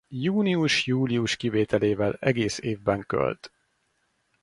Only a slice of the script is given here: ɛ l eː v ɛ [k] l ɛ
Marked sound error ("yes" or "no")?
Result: yes